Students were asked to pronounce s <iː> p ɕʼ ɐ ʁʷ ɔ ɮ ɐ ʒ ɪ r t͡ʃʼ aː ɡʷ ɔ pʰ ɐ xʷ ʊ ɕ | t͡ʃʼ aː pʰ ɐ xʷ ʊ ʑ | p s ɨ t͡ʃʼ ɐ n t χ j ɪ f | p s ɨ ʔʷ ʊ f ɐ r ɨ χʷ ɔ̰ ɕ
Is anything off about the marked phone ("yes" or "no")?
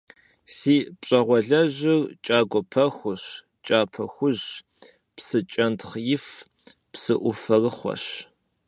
no